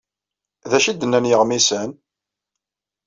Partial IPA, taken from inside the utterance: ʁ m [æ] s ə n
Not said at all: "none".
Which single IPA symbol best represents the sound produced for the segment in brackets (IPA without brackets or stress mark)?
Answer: i